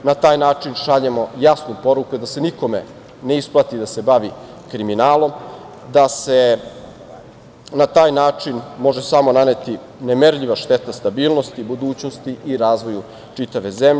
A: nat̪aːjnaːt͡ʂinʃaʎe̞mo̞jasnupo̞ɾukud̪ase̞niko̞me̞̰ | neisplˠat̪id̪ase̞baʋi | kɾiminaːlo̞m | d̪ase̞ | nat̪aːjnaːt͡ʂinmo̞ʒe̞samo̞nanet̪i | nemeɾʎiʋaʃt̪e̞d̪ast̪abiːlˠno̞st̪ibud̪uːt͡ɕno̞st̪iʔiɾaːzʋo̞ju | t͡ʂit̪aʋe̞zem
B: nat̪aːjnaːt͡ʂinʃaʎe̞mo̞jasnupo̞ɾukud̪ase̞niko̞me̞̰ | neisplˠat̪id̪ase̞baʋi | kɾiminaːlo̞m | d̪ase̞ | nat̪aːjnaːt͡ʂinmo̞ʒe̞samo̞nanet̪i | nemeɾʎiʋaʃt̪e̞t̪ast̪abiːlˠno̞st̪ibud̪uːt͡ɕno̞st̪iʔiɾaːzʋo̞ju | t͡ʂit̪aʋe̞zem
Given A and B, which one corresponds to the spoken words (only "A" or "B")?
B